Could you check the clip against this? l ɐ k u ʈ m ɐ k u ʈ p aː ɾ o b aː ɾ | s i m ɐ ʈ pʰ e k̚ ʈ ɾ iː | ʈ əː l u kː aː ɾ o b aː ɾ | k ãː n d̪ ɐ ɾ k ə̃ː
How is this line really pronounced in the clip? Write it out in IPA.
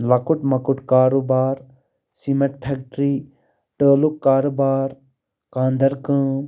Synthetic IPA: l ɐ k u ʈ m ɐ k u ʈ k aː ɾ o b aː ɾ | s i m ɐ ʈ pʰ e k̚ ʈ ɾ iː | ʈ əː l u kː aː ɾ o b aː ɾ | k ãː n d̪ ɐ ɾ k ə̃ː